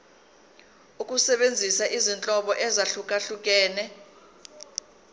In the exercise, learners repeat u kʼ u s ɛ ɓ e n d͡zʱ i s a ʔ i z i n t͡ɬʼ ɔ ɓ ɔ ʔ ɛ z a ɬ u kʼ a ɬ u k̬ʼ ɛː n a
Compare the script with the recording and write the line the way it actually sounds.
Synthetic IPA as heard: u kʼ u s ɛ ɓ e n d͡zʱ i s a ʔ i z i n t͡ɬʼ ɔ ɓ ɔ ʔ ɛ z a ɬ u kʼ a ɬ u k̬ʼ ɛː n ɛ